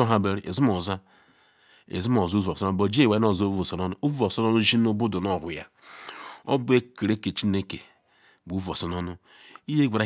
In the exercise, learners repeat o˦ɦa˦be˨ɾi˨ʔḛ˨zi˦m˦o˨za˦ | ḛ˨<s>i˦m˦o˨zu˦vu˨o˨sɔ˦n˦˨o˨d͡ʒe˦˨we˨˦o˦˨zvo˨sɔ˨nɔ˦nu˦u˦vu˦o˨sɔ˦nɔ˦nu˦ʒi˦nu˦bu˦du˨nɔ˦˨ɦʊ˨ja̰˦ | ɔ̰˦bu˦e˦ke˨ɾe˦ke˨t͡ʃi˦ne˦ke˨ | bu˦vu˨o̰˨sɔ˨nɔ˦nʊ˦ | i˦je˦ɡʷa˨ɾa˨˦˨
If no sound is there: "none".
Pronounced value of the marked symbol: z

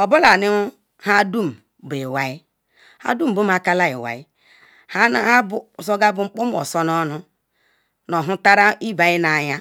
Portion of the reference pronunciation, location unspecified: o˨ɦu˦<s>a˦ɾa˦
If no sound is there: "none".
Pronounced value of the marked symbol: t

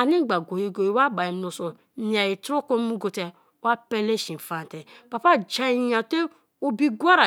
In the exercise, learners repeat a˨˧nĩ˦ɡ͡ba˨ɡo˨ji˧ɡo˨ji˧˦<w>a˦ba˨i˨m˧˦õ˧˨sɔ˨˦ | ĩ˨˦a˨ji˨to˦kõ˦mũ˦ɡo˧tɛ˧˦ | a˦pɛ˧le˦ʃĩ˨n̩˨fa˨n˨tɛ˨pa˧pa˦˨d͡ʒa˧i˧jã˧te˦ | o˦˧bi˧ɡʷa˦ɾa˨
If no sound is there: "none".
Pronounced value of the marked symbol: w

